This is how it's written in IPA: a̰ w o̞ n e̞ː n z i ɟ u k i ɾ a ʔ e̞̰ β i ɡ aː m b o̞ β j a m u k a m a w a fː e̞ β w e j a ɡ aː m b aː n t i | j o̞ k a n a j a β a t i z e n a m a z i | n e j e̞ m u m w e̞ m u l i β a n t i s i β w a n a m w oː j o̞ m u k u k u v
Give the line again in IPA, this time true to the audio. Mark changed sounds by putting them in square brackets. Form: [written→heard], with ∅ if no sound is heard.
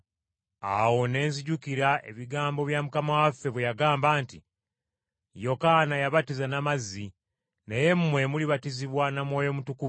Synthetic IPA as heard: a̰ w o̞ n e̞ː n z i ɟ u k i ɾ a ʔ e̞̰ β i ɡ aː m b o̞ β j a m u k a m a w a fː e̞ β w e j a ɡ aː m b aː n t i | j o̞ k a n a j a β a t i z [e→a] n a m a z i | n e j e̞ m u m w e̞ m u l i β a [n→∅] t i [s→z] i β w a n a m w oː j o̞ m u [k→t] u k u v